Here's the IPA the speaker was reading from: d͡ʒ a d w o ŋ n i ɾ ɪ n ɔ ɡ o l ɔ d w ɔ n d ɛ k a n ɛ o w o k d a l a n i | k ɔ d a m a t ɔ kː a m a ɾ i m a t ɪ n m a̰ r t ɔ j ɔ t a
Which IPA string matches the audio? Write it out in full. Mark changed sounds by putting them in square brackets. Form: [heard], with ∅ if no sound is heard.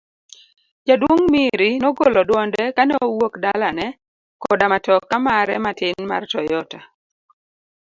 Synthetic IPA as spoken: d͡ʒ a d w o ŋ [m] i ɾ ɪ n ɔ ɡ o l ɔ d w ɔ n d ɛ k a n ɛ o w o k d a l a n [ɛ] | k ɔ d a m a t ɔ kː a m a ɾ [ɛ] m a t ɪ n m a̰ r t ɔ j ɔ t a